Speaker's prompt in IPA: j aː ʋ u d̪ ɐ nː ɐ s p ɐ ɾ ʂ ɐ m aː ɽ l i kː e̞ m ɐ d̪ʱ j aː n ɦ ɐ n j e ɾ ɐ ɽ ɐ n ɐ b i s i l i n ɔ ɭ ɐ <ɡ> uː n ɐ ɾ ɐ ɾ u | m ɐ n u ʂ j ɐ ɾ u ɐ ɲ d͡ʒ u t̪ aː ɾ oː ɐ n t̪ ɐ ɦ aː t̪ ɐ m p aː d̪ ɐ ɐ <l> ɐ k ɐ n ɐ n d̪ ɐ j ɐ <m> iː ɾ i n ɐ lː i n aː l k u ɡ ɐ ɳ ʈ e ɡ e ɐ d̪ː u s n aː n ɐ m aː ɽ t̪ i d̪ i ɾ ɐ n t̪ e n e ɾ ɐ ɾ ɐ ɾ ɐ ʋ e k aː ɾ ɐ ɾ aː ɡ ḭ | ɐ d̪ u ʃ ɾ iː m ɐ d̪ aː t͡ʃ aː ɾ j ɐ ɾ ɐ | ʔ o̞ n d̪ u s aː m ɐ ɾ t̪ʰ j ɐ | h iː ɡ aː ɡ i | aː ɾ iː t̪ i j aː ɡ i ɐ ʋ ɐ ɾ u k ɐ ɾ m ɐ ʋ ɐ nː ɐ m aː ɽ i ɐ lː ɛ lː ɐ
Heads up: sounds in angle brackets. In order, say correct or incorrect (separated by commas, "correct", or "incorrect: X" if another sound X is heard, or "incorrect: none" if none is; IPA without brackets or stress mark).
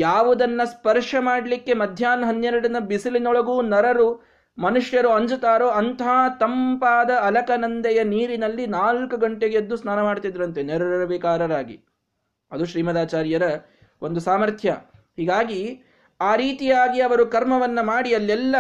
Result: correct, correct, incorrect: n